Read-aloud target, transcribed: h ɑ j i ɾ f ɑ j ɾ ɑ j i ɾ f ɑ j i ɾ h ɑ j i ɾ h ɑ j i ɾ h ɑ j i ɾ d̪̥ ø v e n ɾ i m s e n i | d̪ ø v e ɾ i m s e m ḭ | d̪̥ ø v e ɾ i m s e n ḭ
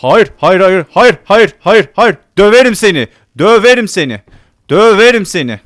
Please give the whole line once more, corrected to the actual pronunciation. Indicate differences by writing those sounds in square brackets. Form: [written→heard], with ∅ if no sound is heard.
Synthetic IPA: h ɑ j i ɾ [f→h] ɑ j ɾ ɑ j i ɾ [f→h] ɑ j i ɾ h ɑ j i ɾ h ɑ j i ɾ h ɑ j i ɾ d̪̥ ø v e [n→∅] ɾ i m s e n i | d̪ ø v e ɾ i m s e [m→n] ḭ | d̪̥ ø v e ɾ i m s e n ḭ